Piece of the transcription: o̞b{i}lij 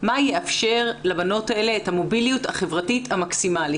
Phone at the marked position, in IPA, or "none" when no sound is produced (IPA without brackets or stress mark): i